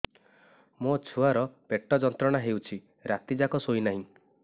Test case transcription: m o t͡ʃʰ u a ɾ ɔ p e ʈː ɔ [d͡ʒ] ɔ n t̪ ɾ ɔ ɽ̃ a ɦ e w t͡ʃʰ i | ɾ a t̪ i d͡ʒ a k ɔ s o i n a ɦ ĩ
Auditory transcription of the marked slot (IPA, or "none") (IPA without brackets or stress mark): d͡ʒ